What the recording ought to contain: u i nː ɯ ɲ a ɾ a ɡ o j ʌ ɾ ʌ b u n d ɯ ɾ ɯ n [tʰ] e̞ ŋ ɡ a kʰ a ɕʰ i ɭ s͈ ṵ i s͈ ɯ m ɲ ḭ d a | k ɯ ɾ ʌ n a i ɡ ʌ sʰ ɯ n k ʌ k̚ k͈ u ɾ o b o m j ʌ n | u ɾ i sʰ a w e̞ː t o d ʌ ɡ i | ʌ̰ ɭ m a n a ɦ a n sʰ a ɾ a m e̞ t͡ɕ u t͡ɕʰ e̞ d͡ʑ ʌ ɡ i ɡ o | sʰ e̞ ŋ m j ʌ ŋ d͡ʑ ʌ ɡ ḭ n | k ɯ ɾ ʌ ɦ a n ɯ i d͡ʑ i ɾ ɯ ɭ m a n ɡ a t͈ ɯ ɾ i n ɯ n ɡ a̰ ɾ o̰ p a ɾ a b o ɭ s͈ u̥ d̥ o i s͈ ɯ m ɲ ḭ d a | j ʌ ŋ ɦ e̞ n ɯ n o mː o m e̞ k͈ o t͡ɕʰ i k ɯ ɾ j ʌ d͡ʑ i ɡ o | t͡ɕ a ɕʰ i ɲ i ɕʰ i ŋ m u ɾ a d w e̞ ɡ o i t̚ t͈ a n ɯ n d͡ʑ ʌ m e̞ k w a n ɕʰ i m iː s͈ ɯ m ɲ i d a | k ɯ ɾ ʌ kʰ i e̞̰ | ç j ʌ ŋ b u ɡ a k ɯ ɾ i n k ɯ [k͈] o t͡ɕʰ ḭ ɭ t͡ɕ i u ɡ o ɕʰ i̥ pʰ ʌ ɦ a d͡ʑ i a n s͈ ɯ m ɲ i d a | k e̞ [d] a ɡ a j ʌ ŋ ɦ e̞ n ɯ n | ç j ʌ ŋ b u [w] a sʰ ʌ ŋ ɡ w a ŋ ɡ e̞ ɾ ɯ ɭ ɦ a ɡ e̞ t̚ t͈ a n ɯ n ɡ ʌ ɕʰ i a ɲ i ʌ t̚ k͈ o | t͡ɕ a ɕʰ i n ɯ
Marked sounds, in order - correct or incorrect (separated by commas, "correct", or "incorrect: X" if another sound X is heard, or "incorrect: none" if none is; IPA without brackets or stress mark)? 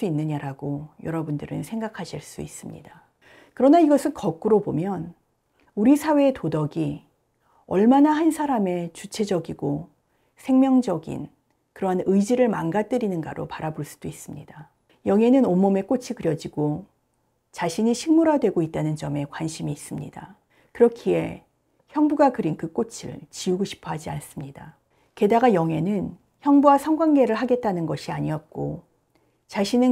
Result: incorrect: sʰ, correct, correct, correct